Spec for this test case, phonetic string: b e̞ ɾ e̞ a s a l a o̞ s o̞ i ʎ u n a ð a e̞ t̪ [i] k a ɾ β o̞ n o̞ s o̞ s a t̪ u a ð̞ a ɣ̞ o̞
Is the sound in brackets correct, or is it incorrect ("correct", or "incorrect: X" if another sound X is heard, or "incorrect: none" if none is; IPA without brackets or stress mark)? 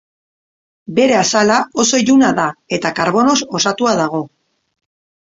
incorrect: a